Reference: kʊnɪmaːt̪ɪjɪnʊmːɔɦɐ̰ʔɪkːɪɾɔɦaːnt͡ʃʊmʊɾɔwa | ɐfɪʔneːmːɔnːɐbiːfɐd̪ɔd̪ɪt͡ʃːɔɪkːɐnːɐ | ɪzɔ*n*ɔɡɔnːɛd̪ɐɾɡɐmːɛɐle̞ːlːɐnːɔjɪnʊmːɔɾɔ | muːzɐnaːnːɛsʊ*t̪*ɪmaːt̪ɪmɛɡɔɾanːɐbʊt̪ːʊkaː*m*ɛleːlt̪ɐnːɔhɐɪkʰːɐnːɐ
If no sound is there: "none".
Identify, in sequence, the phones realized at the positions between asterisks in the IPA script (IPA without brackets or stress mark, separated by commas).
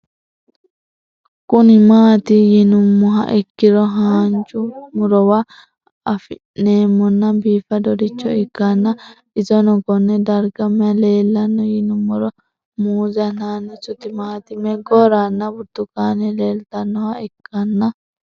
n, t̪, n